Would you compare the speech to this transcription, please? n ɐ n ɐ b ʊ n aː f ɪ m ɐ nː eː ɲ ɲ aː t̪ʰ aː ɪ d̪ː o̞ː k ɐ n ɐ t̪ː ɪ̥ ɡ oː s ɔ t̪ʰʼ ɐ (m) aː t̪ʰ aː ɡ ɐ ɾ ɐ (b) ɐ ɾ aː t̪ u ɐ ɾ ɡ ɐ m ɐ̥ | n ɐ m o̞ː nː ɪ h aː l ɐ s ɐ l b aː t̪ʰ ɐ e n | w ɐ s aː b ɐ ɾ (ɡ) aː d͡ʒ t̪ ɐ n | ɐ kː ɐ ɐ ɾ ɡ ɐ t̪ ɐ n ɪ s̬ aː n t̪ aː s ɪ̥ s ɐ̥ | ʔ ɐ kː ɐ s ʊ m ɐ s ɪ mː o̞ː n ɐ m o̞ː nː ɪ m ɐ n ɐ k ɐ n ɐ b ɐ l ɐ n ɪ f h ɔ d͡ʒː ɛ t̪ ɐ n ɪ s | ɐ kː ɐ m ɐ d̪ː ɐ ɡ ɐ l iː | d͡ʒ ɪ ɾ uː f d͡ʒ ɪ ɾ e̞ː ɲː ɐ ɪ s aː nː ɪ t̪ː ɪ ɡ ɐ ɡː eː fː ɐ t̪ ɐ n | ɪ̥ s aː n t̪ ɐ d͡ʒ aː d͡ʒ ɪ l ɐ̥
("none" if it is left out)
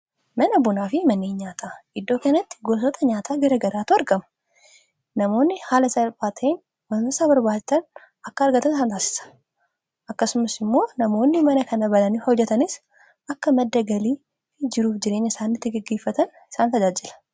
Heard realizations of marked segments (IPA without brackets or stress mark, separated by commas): ɲ, ɡ, b